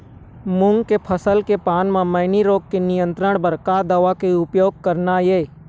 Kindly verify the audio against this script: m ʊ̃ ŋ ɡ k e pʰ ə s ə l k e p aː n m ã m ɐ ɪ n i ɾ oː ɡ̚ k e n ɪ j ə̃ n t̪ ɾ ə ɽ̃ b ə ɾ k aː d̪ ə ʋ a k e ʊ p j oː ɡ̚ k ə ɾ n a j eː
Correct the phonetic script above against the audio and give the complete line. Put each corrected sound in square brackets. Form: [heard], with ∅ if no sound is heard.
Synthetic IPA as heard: m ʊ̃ ŋ ɡ k e pʰ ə s ə l k e p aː n m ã m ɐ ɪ n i ɾ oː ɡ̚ k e n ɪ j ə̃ n t̪ ɾ ə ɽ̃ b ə ɾ k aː d̪ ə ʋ a k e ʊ p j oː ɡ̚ k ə ɾ n a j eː